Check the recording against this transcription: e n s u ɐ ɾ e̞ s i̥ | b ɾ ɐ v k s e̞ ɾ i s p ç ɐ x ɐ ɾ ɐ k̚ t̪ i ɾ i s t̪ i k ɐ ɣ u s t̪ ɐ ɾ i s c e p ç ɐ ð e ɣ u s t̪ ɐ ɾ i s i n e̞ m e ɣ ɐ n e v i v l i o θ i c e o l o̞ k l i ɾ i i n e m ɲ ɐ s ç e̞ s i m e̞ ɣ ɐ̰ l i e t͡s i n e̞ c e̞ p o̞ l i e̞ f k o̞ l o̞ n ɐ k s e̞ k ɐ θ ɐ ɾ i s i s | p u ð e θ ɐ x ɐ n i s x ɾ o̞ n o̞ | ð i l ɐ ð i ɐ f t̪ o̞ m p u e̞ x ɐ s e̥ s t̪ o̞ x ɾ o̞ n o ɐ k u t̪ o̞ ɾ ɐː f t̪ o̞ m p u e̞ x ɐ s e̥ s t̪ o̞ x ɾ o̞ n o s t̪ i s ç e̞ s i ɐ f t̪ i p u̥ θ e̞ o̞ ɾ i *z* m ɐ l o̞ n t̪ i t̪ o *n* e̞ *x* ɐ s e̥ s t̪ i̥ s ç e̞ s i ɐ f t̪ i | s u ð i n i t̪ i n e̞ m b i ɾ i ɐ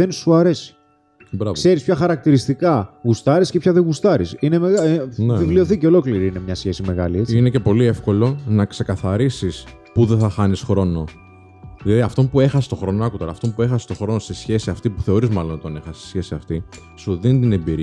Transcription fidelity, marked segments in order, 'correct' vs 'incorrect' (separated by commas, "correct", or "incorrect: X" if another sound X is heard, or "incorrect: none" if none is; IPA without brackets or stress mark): correct, correct, correct